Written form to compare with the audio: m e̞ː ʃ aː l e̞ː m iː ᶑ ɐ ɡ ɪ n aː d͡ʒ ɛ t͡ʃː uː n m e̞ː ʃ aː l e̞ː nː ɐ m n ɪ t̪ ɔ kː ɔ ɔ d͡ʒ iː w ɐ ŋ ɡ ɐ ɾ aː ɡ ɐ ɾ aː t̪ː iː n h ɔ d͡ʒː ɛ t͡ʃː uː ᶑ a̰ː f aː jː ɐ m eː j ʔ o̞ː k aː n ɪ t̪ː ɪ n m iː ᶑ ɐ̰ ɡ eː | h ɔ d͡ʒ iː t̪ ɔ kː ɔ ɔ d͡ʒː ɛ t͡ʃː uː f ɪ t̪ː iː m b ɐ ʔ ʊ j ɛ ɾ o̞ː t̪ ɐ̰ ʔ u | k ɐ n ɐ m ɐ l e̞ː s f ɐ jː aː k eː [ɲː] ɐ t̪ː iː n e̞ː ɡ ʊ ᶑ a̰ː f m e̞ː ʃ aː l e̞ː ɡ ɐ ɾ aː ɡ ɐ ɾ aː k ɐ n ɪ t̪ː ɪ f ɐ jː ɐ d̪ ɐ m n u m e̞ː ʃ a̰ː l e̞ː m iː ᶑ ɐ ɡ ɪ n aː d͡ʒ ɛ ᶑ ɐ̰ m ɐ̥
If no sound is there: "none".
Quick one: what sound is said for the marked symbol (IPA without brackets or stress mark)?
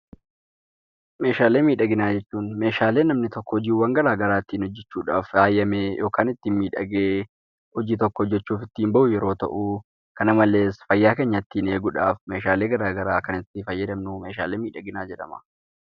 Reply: ɲː